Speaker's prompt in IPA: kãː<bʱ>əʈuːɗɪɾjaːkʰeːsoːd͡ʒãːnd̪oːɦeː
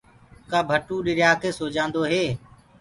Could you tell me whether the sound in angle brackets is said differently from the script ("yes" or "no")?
no